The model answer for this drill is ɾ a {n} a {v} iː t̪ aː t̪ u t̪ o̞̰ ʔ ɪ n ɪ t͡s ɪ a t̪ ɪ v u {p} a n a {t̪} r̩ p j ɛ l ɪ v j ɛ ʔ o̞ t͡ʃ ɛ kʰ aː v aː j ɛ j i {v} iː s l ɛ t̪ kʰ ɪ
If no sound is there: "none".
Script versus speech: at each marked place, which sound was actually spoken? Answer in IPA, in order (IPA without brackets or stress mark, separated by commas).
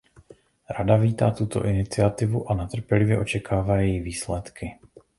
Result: d, v, ʔ, t̪, v